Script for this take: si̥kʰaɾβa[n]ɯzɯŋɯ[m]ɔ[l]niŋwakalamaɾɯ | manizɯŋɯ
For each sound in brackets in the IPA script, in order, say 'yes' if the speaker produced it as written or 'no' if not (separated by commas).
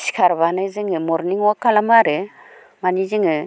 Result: yes, yes, no